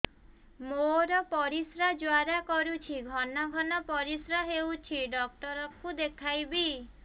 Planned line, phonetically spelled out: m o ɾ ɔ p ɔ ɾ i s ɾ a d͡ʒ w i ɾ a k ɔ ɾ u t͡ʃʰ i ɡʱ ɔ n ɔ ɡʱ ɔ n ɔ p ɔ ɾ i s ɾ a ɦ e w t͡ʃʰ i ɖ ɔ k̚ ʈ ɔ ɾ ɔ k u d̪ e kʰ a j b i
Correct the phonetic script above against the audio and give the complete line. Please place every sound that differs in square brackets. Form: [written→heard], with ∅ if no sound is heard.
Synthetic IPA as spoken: m o ɾ ɔ p ɔ ɾ i s ɾ a d͡ʒ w [i→a] ɾ a k ɔ ɾ u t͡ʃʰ i ɡʱ ɔ n ɔ ɡʱ ɔ n ɔ p ɔ ɾ i s ɾ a ɦ e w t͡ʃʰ i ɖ ɔ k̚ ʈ ɔ ɾ ɔ k u d̪ e kʰ a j b i